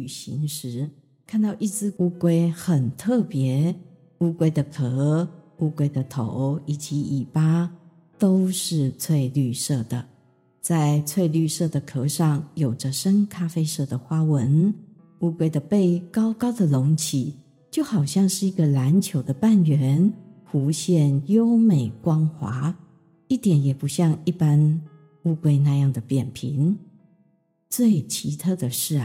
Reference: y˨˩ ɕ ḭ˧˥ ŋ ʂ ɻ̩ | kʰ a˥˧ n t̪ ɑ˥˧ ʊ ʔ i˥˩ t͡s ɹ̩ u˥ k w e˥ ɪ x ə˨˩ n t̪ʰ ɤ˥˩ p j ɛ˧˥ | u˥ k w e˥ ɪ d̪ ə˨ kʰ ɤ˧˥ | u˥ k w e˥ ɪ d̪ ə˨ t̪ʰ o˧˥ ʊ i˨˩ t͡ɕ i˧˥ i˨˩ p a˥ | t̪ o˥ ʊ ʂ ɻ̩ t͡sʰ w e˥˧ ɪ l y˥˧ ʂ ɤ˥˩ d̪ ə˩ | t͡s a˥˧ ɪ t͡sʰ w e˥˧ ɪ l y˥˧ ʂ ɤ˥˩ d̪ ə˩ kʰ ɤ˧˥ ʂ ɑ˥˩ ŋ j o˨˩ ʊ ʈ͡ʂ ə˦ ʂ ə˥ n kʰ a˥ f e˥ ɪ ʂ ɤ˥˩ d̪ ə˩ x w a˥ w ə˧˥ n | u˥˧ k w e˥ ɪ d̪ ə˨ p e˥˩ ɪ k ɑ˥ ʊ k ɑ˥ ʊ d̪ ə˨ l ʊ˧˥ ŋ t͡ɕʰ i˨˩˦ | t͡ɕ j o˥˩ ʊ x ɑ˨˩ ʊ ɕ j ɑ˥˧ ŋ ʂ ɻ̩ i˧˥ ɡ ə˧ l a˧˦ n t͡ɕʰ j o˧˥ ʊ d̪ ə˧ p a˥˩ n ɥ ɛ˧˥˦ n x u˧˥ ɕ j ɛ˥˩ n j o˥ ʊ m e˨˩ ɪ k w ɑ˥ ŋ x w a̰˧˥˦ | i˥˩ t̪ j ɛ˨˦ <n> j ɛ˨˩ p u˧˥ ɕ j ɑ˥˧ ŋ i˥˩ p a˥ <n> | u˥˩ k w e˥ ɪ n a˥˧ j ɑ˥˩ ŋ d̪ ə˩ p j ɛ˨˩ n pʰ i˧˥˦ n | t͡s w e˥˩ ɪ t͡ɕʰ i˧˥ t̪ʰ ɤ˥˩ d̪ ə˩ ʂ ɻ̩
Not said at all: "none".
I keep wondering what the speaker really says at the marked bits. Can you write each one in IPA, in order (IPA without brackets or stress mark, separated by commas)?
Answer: n, n